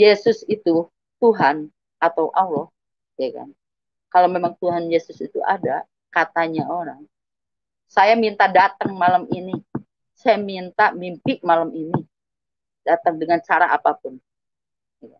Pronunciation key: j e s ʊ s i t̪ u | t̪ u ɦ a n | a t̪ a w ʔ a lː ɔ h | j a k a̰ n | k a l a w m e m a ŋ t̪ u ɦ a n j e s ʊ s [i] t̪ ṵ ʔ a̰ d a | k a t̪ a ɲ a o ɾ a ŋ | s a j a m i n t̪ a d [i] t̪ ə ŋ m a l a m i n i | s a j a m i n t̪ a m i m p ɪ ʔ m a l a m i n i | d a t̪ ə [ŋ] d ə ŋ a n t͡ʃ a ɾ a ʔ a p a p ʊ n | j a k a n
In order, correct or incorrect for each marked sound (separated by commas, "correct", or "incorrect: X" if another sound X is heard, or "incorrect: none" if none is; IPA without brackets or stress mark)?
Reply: correct, incorrect: a, correct